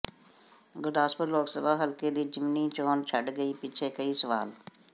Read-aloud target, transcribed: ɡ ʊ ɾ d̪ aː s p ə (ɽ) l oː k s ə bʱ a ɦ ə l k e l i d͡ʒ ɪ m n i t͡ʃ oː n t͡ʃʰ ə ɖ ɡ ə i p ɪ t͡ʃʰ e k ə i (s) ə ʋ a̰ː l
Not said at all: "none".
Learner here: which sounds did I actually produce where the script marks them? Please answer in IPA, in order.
ɾ, s

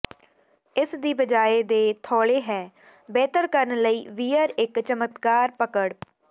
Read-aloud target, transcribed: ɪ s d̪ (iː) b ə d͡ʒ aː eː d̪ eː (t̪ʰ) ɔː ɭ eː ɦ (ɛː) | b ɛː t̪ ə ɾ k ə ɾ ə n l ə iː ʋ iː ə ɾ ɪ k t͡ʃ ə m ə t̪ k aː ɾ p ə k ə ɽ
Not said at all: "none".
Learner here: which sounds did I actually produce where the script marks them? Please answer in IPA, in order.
iː, t̪ʰ, ɛː

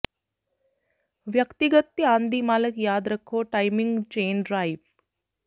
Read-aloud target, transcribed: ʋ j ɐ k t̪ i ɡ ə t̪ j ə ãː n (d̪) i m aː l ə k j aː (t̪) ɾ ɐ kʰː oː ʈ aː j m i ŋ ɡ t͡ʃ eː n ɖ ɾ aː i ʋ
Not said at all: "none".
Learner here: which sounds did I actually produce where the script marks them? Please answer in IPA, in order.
d̪, d̪

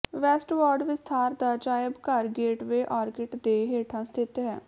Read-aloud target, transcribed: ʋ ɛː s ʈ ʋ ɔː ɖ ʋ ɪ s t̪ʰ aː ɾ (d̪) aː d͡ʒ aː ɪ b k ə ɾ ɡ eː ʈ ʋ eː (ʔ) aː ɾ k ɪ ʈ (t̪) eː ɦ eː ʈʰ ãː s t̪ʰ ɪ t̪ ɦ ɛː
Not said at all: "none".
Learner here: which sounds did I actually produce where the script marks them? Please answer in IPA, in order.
d̪, ʔ, d̪

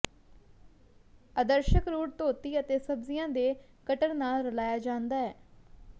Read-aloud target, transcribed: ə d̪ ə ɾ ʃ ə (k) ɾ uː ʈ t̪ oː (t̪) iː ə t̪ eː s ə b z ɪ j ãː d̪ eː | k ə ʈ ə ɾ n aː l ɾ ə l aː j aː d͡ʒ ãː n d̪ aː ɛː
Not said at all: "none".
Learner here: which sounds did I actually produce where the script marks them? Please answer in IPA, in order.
k, t̪

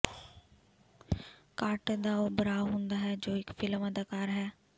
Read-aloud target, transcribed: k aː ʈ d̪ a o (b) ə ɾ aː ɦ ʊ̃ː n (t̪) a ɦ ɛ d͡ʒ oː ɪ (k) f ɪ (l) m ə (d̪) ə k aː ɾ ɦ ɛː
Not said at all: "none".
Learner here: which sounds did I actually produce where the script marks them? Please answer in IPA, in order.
b, d̪, k, l, d̪

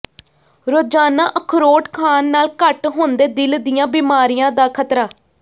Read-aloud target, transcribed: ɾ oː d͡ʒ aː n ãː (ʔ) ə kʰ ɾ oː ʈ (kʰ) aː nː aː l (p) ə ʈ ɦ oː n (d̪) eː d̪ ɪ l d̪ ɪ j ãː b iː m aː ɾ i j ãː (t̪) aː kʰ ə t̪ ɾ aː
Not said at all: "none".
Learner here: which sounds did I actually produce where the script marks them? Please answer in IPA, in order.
ʔ, kʰ, k, d̪, d̪

